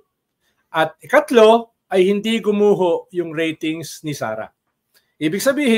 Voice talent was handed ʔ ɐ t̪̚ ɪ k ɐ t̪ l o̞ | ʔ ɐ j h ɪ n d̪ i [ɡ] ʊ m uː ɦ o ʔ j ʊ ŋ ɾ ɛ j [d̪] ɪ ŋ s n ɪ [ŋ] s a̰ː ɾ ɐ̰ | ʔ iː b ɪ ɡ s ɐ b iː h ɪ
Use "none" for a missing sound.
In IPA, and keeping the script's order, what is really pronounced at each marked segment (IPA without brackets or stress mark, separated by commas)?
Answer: ɡ, t̪, none